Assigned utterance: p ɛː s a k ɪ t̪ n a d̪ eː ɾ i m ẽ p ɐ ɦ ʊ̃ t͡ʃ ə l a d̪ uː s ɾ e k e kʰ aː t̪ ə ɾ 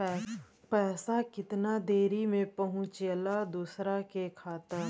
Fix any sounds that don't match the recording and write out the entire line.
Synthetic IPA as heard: p ɛː s a k ɪ t̪ n a d̪ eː ɾ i m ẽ p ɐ ɦ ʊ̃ t͡ʃ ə l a d̪ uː s ɾ a k e kʰ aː t̪ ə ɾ